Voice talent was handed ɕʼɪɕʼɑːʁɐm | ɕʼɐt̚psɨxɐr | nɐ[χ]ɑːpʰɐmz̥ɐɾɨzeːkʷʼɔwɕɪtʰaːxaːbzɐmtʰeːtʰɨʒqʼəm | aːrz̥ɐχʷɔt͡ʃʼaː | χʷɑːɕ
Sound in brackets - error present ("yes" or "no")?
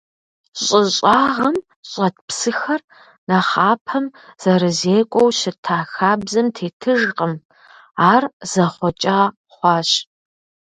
no